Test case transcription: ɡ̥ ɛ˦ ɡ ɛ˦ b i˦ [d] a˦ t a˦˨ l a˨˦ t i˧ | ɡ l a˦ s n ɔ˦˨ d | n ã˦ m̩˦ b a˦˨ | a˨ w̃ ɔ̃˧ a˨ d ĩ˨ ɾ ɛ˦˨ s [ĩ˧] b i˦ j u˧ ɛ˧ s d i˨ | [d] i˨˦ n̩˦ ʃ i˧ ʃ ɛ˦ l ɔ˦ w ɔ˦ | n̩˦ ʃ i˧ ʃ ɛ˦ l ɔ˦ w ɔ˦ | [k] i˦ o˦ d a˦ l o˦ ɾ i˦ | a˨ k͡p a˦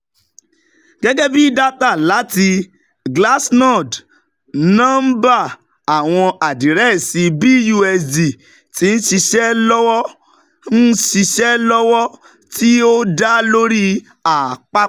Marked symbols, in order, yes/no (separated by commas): yes, no, no, no